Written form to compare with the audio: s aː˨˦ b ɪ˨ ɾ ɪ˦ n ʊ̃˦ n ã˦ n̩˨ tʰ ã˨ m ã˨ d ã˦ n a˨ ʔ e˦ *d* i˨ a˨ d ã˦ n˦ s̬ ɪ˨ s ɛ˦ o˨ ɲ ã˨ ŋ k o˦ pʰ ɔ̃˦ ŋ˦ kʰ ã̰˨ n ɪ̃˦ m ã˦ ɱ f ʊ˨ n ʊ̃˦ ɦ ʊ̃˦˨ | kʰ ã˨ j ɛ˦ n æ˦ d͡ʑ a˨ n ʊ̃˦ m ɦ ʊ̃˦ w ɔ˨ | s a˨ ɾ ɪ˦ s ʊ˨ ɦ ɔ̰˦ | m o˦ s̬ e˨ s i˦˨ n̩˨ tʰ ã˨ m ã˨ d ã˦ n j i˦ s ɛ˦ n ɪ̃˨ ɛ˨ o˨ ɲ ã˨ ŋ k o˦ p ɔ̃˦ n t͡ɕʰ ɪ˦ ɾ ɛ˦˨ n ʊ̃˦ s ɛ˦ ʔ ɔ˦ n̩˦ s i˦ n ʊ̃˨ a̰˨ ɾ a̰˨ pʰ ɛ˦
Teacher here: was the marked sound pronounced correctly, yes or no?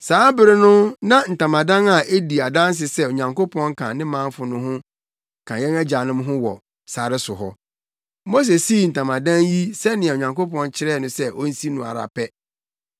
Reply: yes